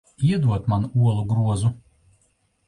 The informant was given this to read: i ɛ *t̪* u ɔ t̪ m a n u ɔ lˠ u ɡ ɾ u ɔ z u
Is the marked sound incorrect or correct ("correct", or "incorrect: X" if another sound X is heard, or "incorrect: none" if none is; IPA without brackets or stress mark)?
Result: incorrect: d̪